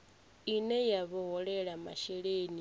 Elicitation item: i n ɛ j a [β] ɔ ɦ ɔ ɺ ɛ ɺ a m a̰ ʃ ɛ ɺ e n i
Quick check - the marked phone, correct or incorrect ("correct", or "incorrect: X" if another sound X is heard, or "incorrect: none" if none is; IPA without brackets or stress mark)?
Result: correct